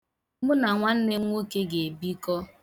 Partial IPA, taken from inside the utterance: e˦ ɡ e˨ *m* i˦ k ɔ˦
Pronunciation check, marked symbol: incorrect: b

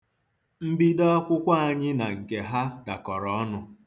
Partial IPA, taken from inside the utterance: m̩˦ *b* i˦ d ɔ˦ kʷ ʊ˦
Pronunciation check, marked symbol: correct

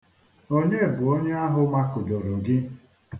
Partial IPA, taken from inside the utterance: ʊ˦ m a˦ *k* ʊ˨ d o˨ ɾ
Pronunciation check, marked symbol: correct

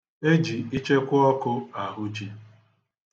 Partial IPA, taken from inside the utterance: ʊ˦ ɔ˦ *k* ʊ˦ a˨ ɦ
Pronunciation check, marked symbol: correct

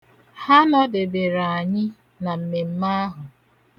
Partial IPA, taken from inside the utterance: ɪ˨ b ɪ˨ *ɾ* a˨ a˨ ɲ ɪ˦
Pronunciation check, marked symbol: correct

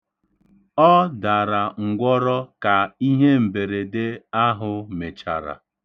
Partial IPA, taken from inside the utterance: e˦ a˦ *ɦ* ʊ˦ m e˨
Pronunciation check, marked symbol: correct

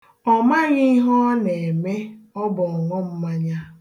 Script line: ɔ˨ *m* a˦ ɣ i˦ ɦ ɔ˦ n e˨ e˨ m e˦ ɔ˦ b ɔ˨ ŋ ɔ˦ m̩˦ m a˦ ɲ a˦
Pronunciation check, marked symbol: correct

